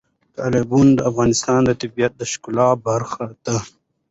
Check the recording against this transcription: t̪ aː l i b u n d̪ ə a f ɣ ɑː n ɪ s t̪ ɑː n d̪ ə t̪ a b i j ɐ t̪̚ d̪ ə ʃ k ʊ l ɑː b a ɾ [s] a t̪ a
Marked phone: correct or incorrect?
incorrect